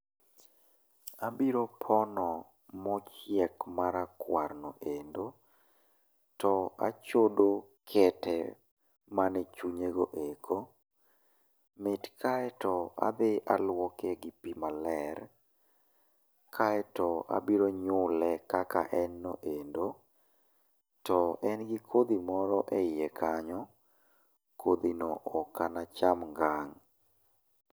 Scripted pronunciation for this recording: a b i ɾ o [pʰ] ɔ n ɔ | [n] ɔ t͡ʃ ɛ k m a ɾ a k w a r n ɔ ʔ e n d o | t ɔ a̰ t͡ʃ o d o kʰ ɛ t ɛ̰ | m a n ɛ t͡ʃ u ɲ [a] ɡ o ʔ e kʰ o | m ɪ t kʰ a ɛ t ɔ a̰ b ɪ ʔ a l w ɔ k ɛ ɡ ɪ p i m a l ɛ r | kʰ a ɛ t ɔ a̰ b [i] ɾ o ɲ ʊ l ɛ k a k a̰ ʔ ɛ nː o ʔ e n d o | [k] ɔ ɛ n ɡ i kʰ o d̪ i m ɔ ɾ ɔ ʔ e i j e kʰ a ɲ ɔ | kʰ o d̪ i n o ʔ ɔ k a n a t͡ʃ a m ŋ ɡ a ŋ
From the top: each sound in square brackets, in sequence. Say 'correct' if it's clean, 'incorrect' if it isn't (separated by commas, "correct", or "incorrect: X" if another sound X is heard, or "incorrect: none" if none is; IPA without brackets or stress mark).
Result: correct, incorrect: m, incorrect: e, correct, incorrect: t